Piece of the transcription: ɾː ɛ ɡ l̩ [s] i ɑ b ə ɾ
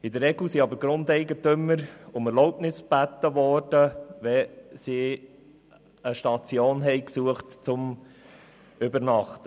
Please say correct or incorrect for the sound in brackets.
correct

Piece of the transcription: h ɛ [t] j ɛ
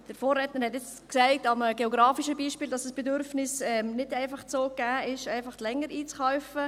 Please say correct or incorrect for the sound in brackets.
correct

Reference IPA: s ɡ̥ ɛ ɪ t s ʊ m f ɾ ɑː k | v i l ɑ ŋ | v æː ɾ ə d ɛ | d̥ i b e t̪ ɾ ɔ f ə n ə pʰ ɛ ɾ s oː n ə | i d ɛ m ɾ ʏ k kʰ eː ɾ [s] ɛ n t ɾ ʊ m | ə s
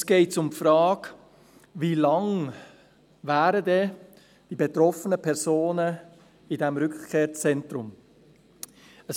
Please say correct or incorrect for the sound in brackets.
incorrect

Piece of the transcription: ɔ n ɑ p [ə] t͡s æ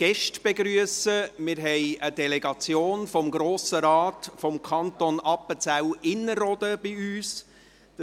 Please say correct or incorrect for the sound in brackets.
correct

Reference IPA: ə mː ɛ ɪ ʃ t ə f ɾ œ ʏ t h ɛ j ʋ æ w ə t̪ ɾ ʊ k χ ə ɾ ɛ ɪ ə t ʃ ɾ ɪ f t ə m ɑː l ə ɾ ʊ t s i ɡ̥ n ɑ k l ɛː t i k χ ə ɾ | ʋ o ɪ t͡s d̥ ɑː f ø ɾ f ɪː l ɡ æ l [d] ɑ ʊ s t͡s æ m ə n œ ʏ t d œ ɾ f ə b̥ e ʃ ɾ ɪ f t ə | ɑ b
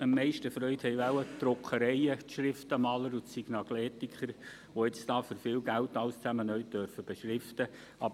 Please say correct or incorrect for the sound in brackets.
incorrect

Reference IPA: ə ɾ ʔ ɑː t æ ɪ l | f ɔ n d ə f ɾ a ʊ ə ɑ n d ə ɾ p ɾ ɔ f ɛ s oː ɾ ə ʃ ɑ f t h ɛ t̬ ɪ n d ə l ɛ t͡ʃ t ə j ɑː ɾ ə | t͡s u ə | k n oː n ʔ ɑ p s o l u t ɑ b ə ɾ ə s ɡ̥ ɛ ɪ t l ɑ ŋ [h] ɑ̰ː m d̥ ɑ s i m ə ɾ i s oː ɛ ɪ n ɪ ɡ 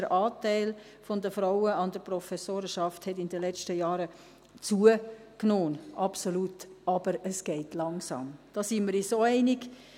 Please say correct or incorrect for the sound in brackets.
incorrect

